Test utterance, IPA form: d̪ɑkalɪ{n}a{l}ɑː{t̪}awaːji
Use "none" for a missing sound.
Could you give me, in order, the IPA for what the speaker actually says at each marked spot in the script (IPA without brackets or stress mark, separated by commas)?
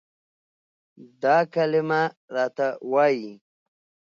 m, ɾ, t̪